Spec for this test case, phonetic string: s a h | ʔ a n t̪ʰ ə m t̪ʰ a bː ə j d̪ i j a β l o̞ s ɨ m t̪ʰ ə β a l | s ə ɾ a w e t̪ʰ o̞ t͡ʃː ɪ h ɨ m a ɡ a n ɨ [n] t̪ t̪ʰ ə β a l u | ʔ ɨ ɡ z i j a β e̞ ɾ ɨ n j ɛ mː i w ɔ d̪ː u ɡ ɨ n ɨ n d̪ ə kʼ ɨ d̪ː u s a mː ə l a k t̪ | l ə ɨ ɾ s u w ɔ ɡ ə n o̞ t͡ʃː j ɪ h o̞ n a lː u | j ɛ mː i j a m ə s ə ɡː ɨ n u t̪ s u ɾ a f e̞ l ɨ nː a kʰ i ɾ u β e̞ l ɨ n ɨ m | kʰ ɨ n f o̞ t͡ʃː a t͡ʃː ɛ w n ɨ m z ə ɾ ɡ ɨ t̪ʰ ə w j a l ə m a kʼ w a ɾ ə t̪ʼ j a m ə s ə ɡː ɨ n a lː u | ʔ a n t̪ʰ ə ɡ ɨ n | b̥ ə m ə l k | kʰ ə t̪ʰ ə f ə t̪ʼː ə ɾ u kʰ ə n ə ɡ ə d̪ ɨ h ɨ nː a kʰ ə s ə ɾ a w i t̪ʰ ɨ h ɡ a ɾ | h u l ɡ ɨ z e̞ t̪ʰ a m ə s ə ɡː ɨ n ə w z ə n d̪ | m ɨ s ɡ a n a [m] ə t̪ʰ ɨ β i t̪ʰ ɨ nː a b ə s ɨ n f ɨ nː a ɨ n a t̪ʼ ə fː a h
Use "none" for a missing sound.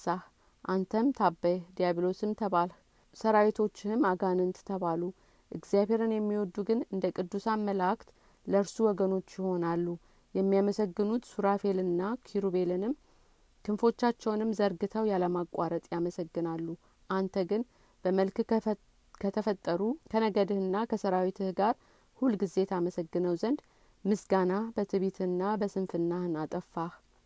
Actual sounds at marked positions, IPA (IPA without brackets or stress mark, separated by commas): n, b